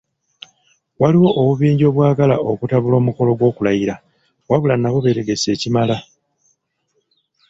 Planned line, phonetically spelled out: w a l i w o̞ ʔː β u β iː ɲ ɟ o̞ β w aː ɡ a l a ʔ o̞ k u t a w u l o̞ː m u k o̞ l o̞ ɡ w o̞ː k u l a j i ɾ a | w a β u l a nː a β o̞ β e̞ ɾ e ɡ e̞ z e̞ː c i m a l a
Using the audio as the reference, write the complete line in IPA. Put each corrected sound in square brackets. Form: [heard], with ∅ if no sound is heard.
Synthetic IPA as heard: w a l i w o̞ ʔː β u β iː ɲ ɟ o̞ β w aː ɡ a l a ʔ o̞ k u t a [β] u l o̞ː m u k o̞ l o̞ ɡ w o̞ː k u l a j i ɾ a | w a β u l a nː a β o̞ β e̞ ɾ e ɡ e̞ [s] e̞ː c i m a l a